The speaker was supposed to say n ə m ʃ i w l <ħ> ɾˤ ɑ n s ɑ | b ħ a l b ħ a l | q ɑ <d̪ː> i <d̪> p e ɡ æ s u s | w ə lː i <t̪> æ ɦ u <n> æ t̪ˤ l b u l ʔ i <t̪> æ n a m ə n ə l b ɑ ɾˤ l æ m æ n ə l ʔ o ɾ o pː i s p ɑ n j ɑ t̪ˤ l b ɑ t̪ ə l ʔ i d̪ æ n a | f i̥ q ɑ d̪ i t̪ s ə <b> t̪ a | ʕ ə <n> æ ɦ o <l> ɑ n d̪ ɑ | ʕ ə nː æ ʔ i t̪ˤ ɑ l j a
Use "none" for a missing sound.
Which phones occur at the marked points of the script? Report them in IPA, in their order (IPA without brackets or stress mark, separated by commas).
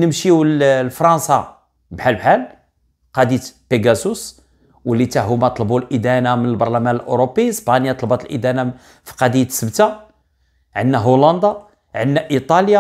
f, d̪, t̪, t̪, m, d̪, b, nː, l